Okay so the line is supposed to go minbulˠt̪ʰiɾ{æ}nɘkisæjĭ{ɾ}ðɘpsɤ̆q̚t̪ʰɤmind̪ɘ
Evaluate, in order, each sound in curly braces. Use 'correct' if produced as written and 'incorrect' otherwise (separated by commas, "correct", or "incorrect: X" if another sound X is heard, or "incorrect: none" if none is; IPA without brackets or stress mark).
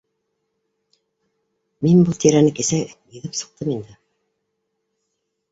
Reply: correct, incorrect: none